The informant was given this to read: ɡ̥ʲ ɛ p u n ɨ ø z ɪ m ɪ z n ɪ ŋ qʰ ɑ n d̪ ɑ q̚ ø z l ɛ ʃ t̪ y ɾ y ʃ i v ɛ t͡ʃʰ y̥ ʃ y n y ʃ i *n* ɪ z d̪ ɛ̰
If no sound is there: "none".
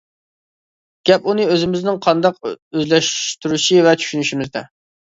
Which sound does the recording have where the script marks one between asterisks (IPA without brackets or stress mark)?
m